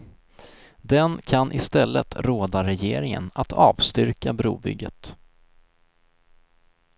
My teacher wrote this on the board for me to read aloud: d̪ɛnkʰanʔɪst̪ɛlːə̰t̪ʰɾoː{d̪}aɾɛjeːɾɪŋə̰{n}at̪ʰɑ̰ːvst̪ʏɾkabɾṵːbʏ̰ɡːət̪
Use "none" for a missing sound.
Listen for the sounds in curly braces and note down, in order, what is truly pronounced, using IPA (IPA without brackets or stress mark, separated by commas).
d̪, n